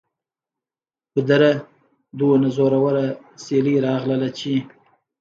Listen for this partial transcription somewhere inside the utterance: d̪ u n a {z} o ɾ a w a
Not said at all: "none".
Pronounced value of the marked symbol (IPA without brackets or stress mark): z